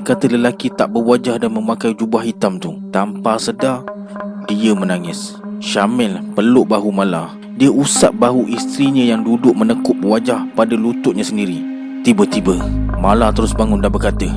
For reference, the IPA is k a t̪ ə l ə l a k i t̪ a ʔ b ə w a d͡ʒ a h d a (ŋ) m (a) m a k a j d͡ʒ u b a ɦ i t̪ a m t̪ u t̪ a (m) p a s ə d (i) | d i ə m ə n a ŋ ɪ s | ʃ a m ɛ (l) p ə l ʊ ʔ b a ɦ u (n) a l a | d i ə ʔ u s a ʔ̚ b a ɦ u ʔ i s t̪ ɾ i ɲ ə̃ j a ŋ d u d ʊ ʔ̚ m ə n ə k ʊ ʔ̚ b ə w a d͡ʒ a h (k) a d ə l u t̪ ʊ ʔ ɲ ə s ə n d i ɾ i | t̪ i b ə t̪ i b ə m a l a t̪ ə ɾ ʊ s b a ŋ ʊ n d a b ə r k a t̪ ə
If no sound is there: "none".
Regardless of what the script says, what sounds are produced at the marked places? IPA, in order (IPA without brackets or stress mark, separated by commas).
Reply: n, ə, m, a, l, m, p